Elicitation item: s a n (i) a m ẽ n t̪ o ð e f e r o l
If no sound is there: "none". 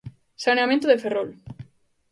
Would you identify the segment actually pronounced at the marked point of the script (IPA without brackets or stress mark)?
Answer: e